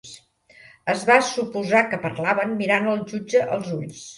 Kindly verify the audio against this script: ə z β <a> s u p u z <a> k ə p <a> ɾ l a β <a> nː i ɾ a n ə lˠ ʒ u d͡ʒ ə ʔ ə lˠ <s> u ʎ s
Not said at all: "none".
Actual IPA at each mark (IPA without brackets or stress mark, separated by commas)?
a, a, ə, ə, z